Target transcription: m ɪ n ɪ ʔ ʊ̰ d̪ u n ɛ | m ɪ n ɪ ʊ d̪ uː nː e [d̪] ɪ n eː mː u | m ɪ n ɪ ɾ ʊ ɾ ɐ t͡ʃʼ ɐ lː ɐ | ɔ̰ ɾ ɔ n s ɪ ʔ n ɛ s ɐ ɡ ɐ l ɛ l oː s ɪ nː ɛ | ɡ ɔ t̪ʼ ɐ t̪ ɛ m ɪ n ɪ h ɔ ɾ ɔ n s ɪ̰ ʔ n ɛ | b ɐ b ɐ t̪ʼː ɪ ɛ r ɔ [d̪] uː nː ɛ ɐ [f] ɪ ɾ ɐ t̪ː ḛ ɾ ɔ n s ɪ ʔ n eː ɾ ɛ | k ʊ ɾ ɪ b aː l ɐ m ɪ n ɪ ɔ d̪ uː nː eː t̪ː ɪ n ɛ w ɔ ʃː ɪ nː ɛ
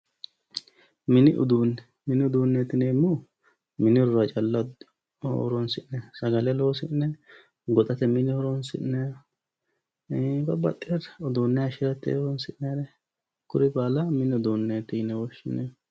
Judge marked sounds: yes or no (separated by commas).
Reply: no, yes, no